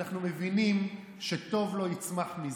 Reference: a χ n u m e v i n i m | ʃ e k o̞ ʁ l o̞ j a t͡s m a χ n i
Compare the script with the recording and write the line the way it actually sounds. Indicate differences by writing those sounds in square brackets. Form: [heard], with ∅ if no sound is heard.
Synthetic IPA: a χ n u m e v i n i m | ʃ e [t] o̞ [v] l o̞ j [i] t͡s m a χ [m] i